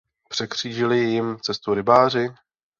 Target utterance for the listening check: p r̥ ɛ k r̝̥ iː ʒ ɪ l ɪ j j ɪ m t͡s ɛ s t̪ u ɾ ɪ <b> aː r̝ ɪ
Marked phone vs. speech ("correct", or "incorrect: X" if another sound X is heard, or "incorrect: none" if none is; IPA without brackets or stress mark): correct